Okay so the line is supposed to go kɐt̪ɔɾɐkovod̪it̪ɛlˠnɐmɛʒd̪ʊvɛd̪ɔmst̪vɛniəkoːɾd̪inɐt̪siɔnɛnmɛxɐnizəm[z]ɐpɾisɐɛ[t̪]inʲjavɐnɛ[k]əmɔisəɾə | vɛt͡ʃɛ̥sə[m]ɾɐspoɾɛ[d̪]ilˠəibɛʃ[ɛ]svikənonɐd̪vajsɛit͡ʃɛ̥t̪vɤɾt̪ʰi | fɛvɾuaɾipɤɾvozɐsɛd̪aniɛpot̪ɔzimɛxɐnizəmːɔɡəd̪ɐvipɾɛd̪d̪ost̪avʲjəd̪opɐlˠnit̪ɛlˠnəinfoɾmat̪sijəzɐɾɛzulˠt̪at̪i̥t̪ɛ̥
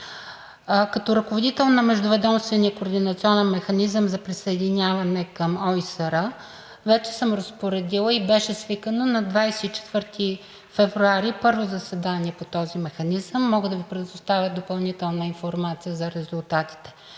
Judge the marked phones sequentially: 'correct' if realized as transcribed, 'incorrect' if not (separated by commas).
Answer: correct, incorrect, correct, correct, correct, correct